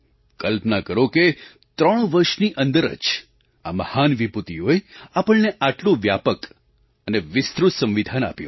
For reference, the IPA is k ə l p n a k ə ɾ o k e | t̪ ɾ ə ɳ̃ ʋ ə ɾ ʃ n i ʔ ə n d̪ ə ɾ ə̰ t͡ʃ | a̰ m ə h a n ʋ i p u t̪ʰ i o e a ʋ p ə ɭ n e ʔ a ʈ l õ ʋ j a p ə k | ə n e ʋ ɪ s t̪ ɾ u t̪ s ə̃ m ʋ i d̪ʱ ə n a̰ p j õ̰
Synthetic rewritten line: k ə l p n a k ə ɾ o k e | t̪ ɾ ə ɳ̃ ʋ ə ɾ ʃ n i ʔ ə n d̪ ə ɾ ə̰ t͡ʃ | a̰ m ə h a n ʋ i p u t̪ i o e a p ə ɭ n e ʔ a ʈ l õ ʋ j a p ə k | ə n e ʋ ɪ s t̪ ɾ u t̪ s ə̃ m ʋ i d̪ʱ a n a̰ p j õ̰